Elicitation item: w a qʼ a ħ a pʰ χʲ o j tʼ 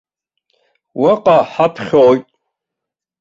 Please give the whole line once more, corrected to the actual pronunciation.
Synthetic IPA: w a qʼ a ħ a pʰ χʲ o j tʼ